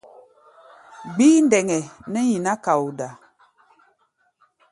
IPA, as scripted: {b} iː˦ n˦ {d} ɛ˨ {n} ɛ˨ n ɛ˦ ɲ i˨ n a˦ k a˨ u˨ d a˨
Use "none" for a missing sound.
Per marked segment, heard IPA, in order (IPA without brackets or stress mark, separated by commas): ɡ͡b, d, ŋ